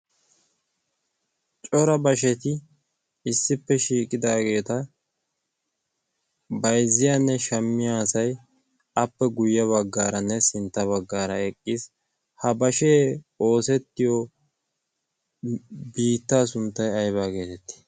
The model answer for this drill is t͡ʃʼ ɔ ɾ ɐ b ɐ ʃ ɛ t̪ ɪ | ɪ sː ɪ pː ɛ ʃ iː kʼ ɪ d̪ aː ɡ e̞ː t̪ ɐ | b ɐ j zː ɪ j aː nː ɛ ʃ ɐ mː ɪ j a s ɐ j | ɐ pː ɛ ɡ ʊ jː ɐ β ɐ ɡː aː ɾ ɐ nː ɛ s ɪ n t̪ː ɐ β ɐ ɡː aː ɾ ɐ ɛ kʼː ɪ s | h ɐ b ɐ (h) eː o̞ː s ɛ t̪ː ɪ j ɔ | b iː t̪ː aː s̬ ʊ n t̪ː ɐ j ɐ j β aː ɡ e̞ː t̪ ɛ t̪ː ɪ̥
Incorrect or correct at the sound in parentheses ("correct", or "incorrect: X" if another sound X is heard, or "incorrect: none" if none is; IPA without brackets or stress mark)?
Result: incorrect: ʃ